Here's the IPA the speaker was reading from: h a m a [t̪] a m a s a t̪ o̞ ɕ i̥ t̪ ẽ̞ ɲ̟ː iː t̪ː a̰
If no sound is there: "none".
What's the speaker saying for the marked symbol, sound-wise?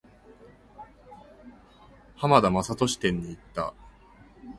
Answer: d̪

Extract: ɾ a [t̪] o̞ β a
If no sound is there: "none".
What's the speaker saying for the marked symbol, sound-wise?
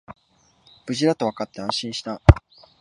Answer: t̪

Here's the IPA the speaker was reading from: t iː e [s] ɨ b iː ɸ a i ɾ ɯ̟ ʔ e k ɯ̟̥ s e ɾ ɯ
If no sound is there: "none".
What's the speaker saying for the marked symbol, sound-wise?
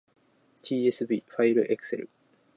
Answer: s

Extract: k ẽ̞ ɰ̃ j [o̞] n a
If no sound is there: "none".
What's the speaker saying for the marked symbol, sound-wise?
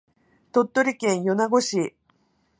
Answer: o̞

